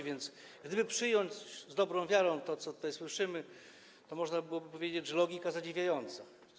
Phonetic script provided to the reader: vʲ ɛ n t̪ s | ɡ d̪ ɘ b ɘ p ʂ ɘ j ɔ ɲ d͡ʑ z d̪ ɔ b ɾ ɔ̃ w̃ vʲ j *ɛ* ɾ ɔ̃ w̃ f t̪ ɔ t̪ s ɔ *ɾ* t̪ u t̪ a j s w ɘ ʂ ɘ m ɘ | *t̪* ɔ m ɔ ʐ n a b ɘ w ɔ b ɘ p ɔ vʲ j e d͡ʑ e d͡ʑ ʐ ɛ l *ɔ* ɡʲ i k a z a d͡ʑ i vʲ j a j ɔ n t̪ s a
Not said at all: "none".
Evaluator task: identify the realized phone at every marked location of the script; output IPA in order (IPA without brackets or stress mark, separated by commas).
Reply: a, none, t̪, ɔ